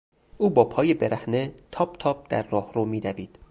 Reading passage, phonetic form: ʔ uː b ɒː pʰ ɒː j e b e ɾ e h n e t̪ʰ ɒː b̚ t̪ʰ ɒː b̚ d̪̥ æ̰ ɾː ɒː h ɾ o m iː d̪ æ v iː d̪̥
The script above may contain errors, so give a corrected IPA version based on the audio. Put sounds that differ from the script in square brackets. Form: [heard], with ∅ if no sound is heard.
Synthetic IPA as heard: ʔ uː b ɒː pʰ ɒː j e b e ɾ [æ] h n e t̪ʰ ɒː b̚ t̪ʰ ɒː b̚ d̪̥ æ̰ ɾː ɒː h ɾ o m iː d̪ æ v iː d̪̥